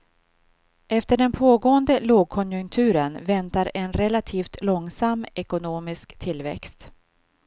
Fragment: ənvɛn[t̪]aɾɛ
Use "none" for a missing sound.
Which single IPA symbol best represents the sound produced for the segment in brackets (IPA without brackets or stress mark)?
t̪